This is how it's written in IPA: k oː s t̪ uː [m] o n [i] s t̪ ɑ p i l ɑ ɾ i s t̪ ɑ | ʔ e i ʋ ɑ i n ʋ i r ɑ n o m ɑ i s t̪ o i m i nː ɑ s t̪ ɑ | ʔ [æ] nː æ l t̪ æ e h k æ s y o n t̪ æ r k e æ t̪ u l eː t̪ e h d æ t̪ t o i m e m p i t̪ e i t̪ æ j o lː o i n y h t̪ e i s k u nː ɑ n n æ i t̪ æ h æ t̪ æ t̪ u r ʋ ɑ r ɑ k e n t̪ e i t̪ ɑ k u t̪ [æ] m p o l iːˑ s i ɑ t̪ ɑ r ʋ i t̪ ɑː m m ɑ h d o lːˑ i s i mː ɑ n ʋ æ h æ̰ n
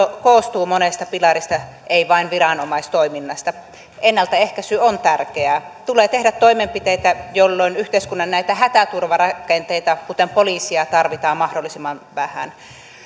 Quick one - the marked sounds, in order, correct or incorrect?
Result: correct, incorrect, incorrect, incorrect

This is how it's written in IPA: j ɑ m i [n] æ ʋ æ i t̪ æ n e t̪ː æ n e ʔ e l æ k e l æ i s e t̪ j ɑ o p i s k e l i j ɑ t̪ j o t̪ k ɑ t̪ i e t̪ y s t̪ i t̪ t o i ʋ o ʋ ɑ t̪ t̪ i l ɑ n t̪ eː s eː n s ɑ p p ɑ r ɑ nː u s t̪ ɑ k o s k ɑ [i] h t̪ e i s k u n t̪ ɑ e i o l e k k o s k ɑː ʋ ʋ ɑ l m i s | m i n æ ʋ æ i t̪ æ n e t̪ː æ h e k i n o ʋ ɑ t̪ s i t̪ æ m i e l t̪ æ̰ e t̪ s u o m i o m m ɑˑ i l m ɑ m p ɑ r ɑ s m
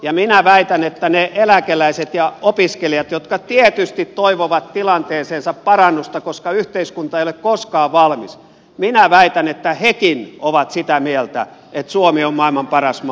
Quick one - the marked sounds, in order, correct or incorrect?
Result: correct, incorrect

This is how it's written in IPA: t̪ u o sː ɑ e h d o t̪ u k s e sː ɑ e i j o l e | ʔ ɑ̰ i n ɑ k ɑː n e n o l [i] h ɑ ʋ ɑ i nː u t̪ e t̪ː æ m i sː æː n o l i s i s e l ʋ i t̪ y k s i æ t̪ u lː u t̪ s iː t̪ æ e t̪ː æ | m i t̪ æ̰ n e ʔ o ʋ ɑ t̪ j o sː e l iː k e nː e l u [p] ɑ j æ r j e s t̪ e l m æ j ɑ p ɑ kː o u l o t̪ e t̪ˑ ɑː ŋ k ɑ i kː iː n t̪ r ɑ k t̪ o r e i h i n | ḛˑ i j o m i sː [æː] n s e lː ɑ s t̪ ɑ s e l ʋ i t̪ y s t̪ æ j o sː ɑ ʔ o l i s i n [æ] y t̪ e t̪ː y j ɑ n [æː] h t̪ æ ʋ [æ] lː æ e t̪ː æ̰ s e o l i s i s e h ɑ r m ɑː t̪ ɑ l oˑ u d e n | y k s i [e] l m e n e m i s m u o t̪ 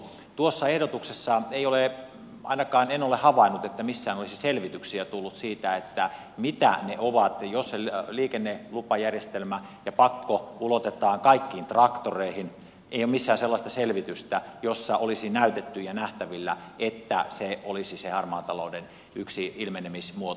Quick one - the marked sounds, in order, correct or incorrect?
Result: incorrect, correct, correct, correct, incorrect, incorrect, incorrect

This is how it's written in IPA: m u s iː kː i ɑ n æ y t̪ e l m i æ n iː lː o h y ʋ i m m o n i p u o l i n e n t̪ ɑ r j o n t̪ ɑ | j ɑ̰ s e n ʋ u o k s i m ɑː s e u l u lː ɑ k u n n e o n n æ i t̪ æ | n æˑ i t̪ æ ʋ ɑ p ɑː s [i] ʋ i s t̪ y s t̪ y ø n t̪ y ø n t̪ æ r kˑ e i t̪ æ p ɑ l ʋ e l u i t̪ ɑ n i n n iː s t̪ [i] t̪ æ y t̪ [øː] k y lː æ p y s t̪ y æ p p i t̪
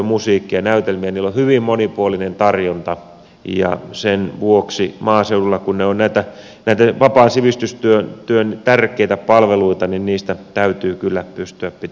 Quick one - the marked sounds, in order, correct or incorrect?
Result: correct, incorrect, incorrect

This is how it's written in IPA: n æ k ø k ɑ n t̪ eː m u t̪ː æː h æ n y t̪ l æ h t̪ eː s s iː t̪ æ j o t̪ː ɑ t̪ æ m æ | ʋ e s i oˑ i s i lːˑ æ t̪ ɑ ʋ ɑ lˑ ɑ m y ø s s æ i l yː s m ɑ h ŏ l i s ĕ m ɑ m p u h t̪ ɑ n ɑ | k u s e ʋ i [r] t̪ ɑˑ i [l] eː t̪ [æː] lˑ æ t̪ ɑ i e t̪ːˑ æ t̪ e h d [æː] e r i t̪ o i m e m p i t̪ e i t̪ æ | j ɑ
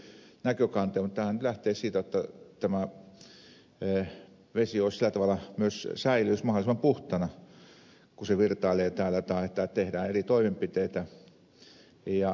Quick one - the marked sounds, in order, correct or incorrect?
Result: correct, correct, correct, correct

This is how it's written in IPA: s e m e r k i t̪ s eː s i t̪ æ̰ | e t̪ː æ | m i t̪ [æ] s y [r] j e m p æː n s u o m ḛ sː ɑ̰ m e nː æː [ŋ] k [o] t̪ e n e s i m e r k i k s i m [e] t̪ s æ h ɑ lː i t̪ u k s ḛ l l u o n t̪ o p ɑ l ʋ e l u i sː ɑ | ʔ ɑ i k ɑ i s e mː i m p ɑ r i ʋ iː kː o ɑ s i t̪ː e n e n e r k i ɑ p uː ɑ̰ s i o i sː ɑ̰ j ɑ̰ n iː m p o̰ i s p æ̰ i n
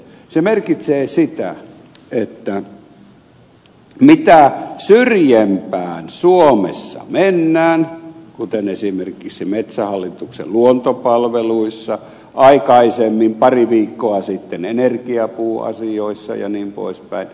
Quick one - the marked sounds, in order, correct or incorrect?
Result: correct, correct, incorrect, incorrect, correct

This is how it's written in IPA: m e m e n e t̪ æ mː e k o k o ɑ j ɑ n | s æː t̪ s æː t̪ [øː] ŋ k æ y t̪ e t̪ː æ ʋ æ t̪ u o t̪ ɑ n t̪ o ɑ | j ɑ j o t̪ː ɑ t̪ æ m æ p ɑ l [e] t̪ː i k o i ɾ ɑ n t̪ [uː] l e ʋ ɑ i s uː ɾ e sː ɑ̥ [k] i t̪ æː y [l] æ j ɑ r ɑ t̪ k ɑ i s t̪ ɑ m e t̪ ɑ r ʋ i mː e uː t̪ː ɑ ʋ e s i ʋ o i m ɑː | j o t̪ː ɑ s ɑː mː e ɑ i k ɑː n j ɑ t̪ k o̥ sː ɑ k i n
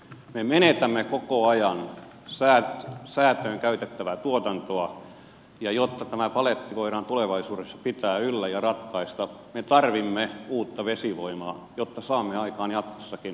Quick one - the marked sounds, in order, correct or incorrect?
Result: correct, correct, incorrect, incorrect, incorrect

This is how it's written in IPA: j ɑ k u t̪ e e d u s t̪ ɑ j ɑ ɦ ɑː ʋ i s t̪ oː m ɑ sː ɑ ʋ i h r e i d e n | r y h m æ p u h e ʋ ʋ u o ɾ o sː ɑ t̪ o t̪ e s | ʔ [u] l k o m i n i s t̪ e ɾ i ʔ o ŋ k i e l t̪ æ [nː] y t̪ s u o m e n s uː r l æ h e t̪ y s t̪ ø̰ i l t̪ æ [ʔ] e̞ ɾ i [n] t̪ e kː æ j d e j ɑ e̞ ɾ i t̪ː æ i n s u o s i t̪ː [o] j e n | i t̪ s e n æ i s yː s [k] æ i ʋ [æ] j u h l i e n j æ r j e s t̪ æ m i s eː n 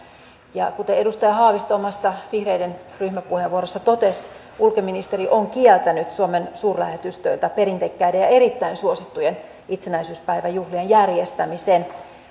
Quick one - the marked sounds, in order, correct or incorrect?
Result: correct, incorrect, incorrect, correct, incorrect, incorrect, correct

